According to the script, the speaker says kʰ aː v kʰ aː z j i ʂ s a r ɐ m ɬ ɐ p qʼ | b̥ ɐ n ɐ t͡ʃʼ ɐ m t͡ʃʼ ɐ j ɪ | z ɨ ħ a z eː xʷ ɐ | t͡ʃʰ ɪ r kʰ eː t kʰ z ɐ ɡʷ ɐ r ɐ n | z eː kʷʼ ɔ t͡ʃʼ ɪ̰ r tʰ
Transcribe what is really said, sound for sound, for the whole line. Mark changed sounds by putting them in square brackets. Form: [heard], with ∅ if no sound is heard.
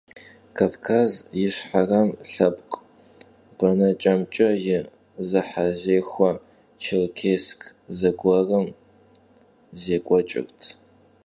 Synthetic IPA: kʰ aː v kʰ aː z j [ɪ] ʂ [ħ] a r ɐ m ɬ ɐ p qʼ | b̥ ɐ n ɐ t͡ʃʼ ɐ m t͡ʃʼ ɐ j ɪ | z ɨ ħ a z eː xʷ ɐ | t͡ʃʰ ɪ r kʰ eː [s] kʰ z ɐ ɡʷ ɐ r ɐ [m] | z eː kʷʼ ɔ t͡ʃʼ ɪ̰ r tʰ